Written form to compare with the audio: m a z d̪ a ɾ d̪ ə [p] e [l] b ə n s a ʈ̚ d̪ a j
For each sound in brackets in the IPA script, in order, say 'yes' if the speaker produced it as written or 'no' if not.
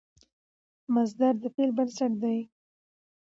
yes, yes

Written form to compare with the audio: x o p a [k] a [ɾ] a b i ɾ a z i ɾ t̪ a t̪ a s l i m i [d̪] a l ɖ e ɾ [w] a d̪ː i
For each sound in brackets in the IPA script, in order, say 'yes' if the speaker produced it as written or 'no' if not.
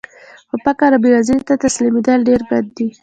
yes, yes, yes, no

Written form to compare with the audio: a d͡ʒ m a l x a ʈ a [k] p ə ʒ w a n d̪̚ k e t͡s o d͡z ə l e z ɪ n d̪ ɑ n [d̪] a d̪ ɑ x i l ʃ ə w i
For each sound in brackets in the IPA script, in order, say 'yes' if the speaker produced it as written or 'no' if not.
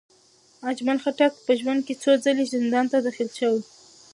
yes, no

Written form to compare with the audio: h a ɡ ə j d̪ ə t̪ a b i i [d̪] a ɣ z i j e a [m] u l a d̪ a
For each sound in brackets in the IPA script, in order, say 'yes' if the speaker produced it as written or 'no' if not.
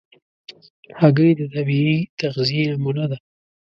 no, yes

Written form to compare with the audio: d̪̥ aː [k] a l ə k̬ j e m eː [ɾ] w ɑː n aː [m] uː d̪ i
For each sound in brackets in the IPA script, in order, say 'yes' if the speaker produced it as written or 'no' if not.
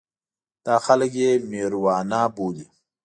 no, yes, no

